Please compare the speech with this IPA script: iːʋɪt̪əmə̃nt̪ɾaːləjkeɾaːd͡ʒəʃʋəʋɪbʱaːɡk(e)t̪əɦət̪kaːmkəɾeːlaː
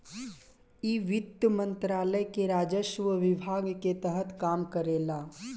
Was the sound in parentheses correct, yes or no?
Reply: yes